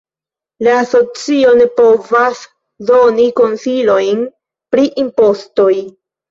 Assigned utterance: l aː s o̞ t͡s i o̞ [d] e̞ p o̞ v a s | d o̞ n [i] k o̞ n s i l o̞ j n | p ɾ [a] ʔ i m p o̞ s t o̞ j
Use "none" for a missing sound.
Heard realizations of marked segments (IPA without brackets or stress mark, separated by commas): n, i, i